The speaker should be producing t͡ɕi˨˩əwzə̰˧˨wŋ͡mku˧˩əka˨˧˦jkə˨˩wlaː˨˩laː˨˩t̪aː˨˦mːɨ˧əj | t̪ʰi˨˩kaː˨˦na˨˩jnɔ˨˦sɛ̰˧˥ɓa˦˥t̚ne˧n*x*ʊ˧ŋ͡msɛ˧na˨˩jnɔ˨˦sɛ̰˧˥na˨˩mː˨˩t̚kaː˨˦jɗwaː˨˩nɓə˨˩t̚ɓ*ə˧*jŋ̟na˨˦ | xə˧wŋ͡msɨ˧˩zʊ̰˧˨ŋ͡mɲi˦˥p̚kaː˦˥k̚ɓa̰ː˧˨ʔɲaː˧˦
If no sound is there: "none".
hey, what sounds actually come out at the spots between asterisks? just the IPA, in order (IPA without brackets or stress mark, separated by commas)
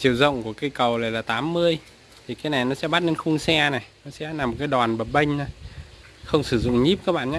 x, ə˧